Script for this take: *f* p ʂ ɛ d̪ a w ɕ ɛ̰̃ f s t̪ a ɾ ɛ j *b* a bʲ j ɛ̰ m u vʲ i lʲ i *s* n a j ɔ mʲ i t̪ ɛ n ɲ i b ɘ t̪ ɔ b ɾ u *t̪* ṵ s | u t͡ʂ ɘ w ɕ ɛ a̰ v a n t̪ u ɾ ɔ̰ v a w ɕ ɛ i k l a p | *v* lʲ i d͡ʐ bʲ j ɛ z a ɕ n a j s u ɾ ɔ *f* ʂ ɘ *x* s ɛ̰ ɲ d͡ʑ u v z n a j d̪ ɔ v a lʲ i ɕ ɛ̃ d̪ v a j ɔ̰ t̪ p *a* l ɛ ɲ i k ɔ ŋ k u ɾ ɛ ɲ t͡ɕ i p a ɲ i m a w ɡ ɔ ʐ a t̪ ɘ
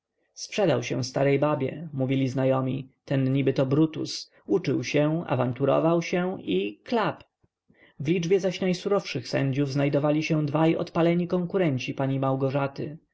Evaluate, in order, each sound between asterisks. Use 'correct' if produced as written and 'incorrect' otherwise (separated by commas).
incorrect, correct, incorrect, correct, correct, correct, correct, correct